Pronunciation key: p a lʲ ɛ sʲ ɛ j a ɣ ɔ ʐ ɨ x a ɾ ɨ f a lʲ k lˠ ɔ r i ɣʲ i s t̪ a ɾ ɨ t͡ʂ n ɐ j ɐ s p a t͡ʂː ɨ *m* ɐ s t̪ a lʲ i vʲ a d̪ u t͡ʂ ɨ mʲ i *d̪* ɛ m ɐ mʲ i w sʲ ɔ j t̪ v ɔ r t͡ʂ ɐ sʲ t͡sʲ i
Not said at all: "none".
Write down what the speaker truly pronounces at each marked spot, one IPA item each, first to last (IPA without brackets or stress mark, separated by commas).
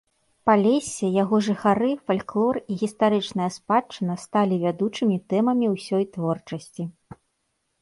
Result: n, t̪